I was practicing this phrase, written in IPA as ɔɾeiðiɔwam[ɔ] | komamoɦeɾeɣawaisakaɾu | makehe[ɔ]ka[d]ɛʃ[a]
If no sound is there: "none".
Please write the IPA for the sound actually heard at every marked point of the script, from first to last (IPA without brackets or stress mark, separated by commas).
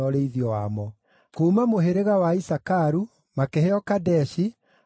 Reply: ɔ, ɔ, d, i